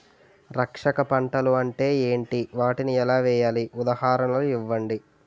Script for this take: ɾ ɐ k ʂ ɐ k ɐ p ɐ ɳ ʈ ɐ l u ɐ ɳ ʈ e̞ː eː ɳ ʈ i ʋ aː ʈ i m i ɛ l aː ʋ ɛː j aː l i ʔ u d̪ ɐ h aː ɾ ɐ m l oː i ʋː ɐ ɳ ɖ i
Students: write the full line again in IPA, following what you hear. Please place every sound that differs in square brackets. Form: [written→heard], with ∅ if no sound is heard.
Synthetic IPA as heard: ɾ ɐ k ʂ ɐ k ɐ p ɐ ɳ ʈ ɐ l u ɐ ɳ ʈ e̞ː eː ɳ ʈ i ʋ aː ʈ i [m→n] i ɛ l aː ʋ ɛː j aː l i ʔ u d̪ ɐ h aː ɾ ɐ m l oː i ʋː ɐ ɳ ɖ i

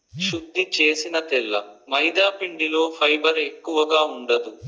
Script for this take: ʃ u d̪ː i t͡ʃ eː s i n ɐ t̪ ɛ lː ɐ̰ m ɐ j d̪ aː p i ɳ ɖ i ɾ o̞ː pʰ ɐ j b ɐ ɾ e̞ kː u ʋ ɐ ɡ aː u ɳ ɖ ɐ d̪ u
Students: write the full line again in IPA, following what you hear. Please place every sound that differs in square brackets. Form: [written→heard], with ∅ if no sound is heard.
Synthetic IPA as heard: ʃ u d̪ː i t͡ʃ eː s i n ɐ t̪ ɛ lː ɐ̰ m ɐ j d̪ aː p i ɳ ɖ i [ɾ→l] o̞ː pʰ ɐ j b ɐ ɾ e̞ kː u ʋ ɐ ɡ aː u ɳ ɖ ɐ d̪ u

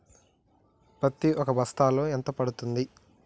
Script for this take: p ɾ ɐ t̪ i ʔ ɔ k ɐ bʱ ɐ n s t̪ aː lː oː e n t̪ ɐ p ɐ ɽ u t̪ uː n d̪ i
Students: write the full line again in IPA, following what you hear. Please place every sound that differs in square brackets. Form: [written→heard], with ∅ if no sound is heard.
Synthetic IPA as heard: p ɾ ɐ t̪ i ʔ ɔ k ɐ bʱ ɐ [n→∅] s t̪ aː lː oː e n t̪ ɐ p ɐ ɽ u t̪ [uː→u] n d̪ i

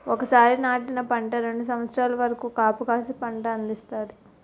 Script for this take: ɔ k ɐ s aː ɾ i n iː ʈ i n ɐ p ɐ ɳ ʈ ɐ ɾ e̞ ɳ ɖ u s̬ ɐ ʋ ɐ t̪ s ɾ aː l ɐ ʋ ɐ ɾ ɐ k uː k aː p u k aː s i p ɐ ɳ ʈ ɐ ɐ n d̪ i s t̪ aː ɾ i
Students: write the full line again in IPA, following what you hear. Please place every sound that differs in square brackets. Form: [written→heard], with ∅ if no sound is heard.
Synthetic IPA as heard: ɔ k ɐ s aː ɾ i n [iː→aː] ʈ i n ɐ p ɐ ɳ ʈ ɐ ɾ e̞ ɳ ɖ u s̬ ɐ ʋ ɐ t̪ s ɾ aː l ɐ ʋ ɐ ɾ ɐ k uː k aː p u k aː s i p ɐ ɳ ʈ ɐ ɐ n d̪ i s t̪ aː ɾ i

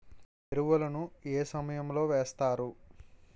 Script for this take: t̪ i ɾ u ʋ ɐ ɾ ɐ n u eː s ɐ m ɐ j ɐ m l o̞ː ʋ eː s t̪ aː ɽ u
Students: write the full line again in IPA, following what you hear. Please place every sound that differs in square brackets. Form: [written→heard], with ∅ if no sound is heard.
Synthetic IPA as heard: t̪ [i→e] ɾ u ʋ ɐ [ɾ→l] ɐ n u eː s ɐ m ɐ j ɐ m l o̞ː ʋ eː s t̪ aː [ɽ→ɾ] u

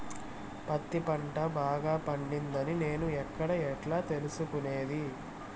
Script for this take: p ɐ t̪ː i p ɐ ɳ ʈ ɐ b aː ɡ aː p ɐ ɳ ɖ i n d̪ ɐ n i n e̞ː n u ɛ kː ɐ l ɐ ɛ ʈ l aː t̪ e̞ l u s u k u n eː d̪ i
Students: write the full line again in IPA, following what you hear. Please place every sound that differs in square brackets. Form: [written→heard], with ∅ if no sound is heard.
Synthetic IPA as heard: p ɐ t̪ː i p ɐ ɳ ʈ ɐ b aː ɡ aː p ɐ ɳ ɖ i n d̪ ɐ n i n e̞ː n u ɛ kː ɐ [l→ɽ] ɐ ɛ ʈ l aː t̪ e̞ l u s u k u n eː d̪ i

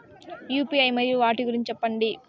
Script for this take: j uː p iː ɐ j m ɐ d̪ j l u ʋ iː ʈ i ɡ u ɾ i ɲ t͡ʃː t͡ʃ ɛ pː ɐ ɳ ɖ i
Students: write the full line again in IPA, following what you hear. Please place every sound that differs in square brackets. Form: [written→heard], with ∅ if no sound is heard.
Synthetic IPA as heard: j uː p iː ɐ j m ɐ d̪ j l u ʋ [iː→aː] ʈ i ɡ u ɾ i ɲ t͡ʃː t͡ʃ ɛ pː ɐ ɳ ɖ i

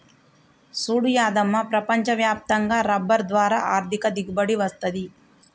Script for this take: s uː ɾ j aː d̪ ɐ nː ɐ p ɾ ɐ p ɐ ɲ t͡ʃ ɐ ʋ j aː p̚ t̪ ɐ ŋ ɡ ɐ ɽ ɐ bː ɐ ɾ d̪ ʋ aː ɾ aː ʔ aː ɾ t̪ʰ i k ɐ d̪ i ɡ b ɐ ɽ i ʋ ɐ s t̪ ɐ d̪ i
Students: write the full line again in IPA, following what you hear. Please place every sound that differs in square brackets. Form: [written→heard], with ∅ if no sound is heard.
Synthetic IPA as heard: s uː [ɾ→ɽ] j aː d̪ ɐ [nː→mː] ɐ p ɾ ɐ p ɐ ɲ t͡ʃ ɐ ʋ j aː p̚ t̪ ɐ ŋ ɡ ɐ [ɽ→ɾ] ɐ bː ɐ ɾ d̪ ʋ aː ɾ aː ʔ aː ɾ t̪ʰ i k ɐ d̪ i ɡ b ɐ ɽ i ʋ ɐ s t̪ ɐ d̪ i

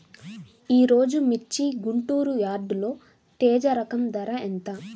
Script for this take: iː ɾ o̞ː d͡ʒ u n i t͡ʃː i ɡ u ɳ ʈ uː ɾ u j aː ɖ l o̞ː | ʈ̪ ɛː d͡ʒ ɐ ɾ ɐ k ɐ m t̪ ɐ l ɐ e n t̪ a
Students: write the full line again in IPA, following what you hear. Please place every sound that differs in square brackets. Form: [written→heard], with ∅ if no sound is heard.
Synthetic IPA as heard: iː ɾ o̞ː d͡ʒ u [n→m] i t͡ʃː i ɡ u ɳ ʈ uː ɾ u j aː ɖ l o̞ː | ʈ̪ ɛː d͡ʒ ɐ ɾ ɐ k ɐ m [t̪→d̪] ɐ [l→ɾ] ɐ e n t̪ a

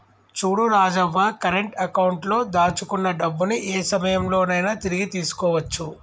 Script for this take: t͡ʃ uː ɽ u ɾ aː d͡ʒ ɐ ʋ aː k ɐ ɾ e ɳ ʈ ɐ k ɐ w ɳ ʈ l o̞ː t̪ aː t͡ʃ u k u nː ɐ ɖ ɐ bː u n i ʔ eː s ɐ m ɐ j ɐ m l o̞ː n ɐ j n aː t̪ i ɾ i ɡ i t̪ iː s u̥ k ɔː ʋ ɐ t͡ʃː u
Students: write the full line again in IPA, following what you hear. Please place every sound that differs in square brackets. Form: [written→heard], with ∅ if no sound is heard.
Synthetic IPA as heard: t͡ʃ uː ɽ u ɾ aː d͡ʒ ɐ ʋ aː k ɐ ɾ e ɳ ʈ ɐ k ɐ w ɳ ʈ l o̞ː [t̪→d̪] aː t͡ʃ u k u nː ɐ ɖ ɐ bː u n i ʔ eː s ɐ m ɐ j ɐ m l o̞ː n ɐ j n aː t̪ i ɾ i ɡ i t̪ iː s u̥ k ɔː ʋ ɐ t͡ʃː u

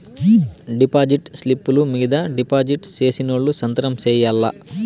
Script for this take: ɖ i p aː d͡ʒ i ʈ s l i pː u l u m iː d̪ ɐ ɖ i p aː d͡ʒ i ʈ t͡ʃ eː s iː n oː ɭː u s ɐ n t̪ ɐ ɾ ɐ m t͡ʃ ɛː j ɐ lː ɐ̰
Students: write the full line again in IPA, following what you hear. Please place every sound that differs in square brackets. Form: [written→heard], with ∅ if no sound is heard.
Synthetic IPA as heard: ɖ i p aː d͡ʒ i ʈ s l i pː u l u m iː d̪ ɐ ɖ i p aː d͡ʒ i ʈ t͡ʃ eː s [iː→i] n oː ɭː u s ɐ n t̪ ɐ ɾ ɐ m t͡ʃ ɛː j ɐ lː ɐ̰

